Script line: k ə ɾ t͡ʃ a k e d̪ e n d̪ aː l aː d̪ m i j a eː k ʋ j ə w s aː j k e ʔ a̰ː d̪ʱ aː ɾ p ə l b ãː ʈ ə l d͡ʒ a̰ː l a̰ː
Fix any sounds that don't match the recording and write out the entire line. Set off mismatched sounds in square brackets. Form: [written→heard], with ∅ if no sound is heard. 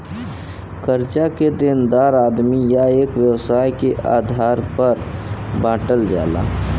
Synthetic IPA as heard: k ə ɾ t͡ʃ a k e d̪ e n d̪ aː [l→ɾ] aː d̪ m i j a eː k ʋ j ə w s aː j k e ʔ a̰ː d̪ʱ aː ɾ p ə [l→ɾ] b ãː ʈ ə l d͡ʒ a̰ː l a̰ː